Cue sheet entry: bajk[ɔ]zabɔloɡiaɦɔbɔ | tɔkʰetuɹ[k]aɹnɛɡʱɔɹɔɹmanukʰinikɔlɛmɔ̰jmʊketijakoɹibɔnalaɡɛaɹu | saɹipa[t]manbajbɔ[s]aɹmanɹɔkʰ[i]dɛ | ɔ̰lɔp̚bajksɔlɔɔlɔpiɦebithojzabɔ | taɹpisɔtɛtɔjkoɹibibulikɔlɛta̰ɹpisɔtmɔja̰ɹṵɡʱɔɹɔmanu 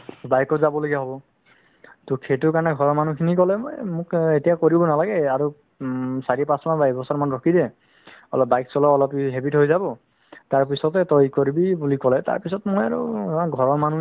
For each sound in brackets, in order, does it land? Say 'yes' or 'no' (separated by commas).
yes, yes, no, yes, yes